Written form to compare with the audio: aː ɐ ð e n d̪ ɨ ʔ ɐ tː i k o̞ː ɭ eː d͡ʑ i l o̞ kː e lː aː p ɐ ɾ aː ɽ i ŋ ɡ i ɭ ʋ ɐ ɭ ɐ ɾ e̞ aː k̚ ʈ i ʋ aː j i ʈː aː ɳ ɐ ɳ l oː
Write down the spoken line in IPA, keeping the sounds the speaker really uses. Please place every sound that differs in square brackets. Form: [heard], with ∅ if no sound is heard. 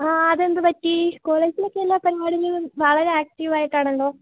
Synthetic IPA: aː ɐ ð e n d̪ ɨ [p] ɐ tː i k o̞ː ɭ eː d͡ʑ i l o̞ kː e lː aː p ɐ ɾ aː ɽ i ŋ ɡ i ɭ ʋ ɐ ɭ ɐ ɾ e̞ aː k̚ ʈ i ʋ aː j i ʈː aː ɳ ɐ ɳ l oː